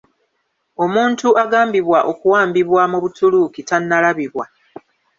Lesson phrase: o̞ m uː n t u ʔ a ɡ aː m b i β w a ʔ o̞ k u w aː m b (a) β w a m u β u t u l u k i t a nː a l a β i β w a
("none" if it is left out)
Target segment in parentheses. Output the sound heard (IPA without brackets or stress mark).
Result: i